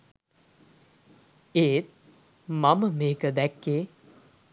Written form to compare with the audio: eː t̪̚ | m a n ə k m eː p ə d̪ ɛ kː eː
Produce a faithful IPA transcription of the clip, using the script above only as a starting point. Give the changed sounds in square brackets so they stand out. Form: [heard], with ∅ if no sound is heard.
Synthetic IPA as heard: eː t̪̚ | m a [m] ə [∅] m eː [k] ə d̪ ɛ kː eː